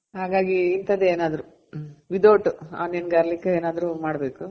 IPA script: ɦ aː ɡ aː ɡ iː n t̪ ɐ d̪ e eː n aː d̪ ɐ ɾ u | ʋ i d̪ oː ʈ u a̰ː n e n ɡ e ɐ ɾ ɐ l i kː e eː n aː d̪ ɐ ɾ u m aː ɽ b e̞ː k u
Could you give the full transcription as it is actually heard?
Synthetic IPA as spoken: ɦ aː ɡ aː ɡ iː n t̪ ɐ d̪ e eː n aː d̪ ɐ ɾ u | ʋ i d̪ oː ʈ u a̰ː n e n ɡ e ɐ ɾ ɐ l i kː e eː n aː d̪ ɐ ɾ u m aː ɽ b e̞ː k u